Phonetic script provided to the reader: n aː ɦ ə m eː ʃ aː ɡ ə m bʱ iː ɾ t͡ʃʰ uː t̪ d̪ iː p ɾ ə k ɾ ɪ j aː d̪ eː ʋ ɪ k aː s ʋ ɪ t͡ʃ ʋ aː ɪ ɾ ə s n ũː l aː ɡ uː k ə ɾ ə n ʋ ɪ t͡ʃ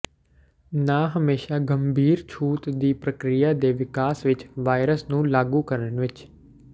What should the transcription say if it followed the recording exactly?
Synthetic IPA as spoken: n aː ɦ ə m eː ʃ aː ɡ ə m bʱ iː ɾ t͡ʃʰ uː t̪ d̪ iː p ɾ ə k ɾ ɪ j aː d̪ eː ʋ ɪ k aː s ʋ ɪ t͡ʃ ʋ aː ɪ ɾ ə s n ũː l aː ɡ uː k ə ɾ ə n ʋ ɪ t͡ʃ